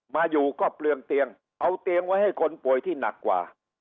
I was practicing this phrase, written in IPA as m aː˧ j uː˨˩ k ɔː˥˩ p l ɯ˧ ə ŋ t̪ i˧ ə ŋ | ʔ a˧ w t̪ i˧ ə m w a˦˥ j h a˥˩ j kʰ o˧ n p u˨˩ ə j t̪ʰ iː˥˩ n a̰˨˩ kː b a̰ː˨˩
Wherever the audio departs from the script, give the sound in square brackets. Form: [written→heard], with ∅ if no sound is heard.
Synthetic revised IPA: m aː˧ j uː˨˩ k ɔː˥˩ p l ɯ˧ ə ŋ t̪ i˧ ə ŋ | ʔ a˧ w t̪ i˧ ə [m→ŋ] w a˦˥ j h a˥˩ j kʰ o˧ n p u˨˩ ə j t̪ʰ iː˥˩ n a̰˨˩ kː [b→w] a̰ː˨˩